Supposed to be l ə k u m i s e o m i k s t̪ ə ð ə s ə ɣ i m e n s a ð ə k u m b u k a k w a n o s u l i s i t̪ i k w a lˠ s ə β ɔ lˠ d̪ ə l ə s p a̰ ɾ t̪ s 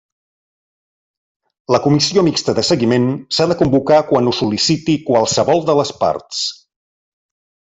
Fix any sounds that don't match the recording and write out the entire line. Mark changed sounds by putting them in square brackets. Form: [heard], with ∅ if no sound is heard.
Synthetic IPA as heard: l ə k u m i s [i] o m i k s t̪ ə ð ə s ə ɣ i m e n s a ð ə k u m b u k a k w a n [u] s u l i s i t̪ i k w a lˠ s ə β ɔ lˠ d̪ ə l ə s p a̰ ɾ t̪ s